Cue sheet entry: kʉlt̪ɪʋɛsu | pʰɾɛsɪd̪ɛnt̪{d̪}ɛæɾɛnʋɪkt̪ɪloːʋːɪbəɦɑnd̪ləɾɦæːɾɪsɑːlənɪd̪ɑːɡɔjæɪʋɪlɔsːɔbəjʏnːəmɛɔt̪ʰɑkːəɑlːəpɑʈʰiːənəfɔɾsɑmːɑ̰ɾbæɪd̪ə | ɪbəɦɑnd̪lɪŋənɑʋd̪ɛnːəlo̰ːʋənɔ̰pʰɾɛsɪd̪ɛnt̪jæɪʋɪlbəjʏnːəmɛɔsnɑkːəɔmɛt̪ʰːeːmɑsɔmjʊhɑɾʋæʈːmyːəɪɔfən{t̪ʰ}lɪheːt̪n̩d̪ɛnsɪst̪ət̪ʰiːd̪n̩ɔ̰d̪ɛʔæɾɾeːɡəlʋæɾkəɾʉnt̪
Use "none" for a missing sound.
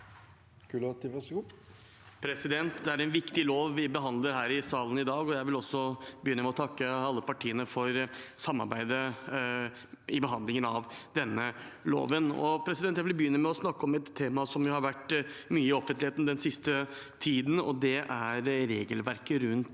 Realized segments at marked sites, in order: d̪, t̪

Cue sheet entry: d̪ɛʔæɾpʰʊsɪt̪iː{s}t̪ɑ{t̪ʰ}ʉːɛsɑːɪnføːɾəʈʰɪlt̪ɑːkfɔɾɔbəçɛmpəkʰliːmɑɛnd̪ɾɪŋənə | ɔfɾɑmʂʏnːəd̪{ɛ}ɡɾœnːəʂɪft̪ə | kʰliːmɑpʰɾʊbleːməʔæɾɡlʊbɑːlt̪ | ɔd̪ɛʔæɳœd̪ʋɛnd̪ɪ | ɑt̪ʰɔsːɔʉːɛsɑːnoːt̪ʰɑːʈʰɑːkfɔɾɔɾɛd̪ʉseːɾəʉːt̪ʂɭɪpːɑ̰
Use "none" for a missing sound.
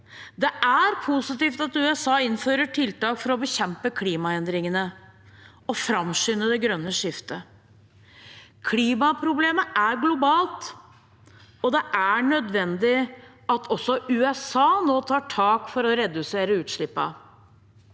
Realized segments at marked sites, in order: f, t̪, ɛ

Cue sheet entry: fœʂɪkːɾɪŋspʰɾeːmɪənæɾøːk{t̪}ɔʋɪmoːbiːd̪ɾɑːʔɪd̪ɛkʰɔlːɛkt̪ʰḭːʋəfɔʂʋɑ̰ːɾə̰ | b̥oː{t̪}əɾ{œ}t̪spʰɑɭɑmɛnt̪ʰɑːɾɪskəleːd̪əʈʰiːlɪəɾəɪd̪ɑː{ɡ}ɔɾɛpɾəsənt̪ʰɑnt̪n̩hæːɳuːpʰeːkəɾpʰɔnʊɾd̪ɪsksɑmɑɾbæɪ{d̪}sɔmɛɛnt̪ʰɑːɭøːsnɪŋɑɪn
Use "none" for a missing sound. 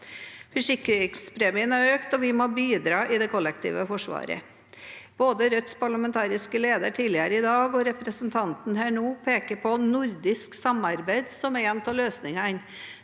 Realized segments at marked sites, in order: t̪, d̪, œ, ɡ, d̪

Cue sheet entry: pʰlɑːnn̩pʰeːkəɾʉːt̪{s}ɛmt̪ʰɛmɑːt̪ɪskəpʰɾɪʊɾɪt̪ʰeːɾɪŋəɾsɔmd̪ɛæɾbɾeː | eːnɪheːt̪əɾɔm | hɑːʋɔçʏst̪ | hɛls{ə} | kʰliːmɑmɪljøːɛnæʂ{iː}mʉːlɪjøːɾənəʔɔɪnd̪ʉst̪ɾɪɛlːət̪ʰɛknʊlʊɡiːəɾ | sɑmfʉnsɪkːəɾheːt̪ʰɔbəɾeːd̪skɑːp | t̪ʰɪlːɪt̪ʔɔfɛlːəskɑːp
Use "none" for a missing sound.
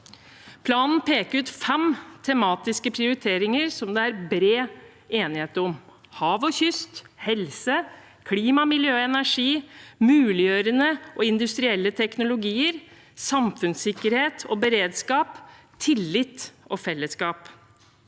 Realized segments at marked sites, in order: f, ə, iː

